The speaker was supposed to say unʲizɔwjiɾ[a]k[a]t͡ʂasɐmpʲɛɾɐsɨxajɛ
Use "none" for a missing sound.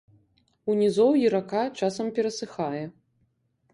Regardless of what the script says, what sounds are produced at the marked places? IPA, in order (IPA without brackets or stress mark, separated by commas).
a, a